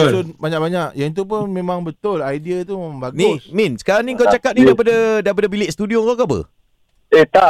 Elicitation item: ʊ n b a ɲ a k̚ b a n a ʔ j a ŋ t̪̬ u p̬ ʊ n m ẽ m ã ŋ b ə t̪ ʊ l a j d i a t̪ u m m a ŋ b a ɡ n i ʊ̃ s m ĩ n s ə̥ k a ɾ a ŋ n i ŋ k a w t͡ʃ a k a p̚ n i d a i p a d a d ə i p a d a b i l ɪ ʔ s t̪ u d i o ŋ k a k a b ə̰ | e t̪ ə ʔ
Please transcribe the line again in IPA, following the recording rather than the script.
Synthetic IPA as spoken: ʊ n b a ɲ a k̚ b a ɲ a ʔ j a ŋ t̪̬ u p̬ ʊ n m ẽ m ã ŋ b ə t̪ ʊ l a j d i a t̪ u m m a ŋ b a ɡ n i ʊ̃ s m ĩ n s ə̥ k a ɾ a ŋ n i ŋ k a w t͡ʃ a k a p̚ n i d a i p a d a d a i p a d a b i l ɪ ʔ s t̪ u d i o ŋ k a k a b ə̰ | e t̪ a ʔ